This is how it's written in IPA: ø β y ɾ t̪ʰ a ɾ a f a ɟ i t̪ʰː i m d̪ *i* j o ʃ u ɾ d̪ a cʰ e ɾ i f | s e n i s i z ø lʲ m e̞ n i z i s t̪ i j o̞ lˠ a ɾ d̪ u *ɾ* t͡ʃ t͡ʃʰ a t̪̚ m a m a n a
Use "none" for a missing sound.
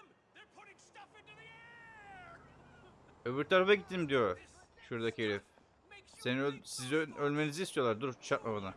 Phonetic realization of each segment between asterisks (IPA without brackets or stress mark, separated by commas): i, ɾ